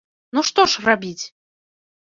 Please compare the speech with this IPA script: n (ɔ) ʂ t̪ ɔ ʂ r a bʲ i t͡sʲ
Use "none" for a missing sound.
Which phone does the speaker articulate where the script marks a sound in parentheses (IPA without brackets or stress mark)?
u